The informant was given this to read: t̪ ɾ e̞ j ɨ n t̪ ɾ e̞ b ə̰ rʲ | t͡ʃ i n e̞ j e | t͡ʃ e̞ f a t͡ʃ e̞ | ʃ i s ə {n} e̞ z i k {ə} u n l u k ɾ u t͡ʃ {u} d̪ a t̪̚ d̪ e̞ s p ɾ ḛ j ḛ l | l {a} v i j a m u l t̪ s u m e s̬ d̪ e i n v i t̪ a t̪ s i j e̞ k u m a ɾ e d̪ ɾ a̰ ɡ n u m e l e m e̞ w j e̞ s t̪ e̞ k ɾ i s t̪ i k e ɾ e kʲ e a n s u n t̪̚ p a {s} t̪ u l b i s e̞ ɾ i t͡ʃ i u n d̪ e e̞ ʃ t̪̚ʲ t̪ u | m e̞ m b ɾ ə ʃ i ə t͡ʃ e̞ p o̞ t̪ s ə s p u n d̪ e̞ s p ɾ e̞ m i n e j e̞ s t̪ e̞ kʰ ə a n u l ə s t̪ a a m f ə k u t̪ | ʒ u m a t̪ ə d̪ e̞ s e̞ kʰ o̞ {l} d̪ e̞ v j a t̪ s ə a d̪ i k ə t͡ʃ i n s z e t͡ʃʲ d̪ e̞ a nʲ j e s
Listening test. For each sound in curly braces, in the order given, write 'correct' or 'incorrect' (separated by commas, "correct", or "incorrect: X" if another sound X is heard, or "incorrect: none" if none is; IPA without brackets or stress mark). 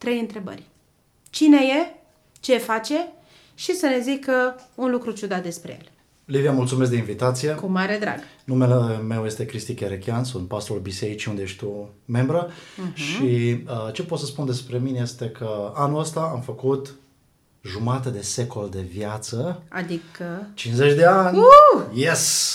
correct, correct, correct, incorrect: i, correct, correct